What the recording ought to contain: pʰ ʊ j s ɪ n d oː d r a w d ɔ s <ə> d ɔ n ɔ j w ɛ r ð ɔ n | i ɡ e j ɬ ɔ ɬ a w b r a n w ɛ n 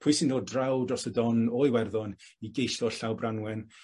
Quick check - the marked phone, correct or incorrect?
correct